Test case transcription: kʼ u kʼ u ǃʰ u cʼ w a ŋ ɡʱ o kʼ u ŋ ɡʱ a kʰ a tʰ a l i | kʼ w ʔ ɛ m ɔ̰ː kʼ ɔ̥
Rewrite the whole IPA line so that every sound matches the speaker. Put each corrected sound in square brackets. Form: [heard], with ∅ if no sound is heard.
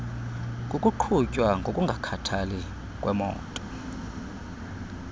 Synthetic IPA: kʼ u kʼ u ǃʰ u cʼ w a ŋ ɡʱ o kʼ u ŋ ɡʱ a kʰ a tʰ a l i | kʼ w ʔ ɛ m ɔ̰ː [tʼ] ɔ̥

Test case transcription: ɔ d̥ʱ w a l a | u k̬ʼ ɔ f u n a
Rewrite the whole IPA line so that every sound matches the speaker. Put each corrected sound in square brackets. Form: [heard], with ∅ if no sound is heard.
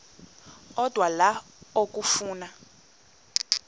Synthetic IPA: ɔ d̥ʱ w a l a | [o] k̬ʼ [u] f [uː] n a

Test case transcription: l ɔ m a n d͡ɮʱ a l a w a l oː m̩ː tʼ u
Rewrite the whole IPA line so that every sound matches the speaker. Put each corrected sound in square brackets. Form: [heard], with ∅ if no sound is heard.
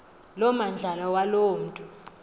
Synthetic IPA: l ɔ m a n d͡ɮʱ a l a w a l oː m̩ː tʼ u

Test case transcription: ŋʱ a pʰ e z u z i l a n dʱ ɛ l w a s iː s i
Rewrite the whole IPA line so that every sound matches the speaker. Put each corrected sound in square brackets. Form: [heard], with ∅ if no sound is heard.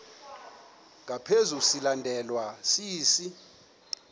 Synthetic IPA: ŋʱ a pʰ e z u [s] i l a n dʱ ɛ l w a s iː s i

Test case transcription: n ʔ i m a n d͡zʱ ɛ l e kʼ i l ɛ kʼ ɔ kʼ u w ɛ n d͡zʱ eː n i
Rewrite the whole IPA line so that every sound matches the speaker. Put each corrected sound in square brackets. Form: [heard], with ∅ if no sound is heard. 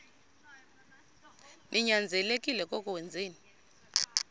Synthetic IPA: n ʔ i [ɲ] a n d͡zʱ ɛ l e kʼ i l ɛ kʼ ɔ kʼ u w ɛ n d͡zʱ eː n i

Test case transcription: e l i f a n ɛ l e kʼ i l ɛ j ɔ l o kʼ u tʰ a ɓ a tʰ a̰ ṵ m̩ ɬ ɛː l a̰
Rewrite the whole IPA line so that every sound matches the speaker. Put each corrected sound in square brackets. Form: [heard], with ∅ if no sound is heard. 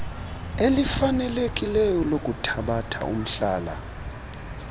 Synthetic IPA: e l i f a n ɛ l e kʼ i l ɛ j ɔ l o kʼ u tʰ a ɓ a tʰ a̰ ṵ m̩ ɬ [aː] l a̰

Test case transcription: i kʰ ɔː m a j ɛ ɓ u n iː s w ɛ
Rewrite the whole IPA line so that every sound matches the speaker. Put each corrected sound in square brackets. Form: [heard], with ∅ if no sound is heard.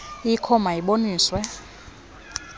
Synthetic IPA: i kʰ [ɔ] m a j [i] ɓ [o] n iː s w ɛ

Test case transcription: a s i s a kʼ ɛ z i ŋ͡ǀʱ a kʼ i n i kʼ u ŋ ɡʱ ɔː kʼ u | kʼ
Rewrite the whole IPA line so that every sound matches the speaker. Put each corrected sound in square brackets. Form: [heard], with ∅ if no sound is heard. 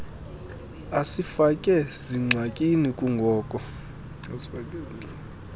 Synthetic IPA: a s i [f] a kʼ ɛ z i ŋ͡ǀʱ a kʼ i n i kʼ u ŋ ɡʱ ɔː kʼ [ɔ] | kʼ

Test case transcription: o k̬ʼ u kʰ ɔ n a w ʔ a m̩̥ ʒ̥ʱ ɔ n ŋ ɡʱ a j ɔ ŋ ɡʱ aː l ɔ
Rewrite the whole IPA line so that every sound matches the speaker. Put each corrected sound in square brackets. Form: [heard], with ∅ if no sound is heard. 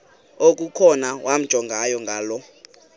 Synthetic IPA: o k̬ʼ u kʰ ɔ n a w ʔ a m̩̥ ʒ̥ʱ ɔ [∅] ŋ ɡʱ a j ɔ ŋ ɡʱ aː l ɔ

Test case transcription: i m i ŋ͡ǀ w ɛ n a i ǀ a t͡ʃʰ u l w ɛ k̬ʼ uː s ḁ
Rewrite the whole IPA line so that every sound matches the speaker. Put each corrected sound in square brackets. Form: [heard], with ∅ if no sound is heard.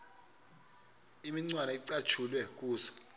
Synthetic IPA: i m i ŋ͡ǀ w [a] n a i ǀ a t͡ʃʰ u l w ɛ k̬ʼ uː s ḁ

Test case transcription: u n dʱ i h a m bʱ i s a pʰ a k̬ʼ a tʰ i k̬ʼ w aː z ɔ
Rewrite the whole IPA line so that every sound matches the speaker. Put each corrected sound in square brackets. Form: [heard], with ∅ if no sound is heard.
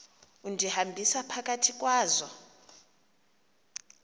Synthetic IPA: u n dʱ i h a m bʱ i s a pʰ a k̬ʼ a tʰ i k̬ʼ w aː z ɔ

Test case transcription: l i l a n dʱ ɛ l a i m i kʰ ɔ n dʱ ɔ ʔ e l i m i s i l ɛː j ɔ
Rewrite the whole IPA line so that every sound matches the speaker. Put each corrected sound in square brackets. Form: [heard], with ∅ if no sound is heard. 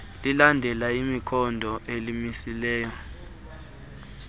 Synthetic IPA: l i l a n dʱ ɛ l a i m i kʰ ɔ n dʱ ɔ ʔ e l i m i s i l ɛː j ɔ

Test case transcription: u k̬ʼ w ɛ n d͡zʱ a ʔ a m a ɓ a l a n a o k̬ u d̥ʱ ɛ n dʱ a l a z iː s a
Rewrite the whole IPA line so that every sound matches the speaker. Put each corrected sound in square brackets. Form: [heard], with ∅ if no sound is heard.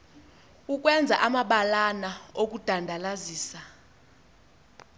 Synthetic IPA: u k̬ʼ w ɛ n d͡zʱ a ʔ a m a ɓ a l a n a o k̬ u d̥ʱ [a] n dʱ a l a z iː s a

